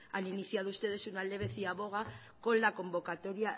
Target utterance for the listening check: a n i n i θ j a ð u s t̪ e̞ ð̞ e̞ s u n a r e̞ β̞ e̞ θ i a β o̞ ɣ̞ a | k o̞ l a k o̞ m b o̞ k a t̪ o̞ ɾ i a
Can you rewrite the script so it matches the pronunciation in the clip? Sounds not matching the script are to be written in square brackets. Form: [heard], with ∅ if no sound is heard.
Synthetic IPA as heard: a n i n i θ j a ð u s t̪ e̞ ð̞ e̞ s u n a [l] e̞ β̞ e̞ θ i a β o̞ ɣ̞ a | k o̞ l a k o̞ m b o̞ k a t̪ o̞ ɾ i a